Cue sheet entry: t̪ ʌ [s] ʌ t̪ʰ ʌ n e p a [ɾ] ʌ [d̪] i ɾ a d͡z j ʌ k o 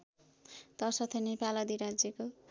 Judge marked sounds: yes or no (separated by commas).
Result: yes, no, yes